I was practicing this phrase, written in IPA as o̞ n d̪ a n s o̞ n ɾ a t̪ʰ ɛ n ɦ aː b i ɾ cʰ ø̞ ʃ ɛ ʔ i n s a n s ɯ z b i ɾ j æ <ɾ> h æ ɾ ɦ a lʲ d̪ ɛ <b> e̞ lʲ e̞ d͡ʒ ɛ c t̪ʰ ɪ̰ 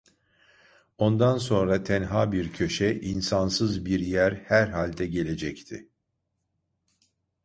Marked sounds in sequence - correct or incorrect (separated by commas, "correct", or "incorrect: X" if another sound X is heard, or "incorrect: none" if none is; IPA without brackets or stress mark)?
correct, incorrect: ɟ